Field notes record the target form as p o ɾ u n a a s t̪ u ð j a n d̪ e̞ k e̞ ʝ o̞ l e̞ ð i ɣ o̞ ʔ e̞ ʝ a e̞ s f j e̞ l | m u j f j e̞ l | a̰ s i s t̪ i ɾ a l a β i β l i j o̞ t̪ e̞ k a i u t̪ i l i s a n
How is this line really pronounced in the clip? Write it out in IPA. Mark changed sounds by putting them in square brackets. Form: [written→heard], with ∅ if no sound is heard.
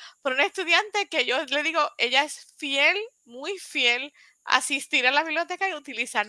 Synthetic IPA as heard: p o ɾ u n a [a→e] s t̪ u ð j a n [d̪→t̪] e̞ k e̞ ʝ o̞ l e̞ ð i ɣ o̞ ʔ e̞ ʝ a e̞ s f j e̞ l | m u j f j e̞ l | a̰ s i s t̪ i ɾ a l a β i β l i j o̞ t̪ e̞ k a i u t̪ i l i s a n